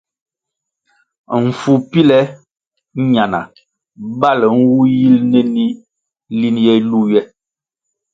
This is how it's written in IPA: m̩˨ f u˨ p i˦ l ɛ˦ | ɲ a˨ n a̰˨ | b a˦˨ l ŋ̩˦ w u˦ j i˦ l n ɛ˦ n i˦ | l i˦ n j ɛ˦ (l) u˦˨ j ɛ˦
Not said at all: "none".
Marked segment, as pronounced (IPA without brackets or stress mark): l